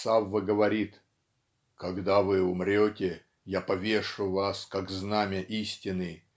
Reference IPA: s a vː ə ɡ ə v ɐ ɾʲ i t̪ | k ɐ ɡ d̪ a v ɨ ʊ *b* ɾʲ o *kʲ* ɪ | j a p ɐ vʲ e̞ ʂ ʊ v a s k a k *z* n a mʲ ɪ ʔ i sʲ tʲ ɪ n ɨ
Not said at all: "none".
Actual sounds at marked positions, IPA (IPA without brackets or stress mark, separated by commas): m, tʲ, z